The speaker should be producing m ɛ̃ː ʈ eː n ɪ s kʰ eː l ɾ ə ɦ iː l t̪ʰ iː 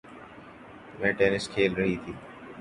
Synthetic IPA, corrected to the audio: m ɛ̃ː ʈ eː n ɪ s kʰ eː l ɾ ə ɦ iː t̪ʰ iː